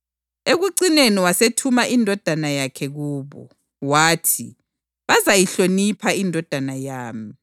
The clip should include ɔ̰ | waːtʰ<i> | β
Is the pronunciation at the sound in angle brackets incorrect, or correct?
correct